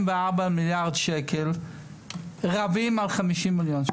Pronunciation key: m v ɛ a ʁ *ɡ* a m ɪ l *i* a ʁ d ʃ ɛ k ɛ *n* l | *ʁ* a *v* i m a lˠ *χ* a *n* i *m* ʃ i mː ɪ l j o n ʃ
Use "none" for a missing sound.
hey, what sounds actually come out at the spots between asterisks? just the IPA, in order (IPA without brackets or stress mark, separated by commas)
b, j, none, ʁ, v, χ, m, none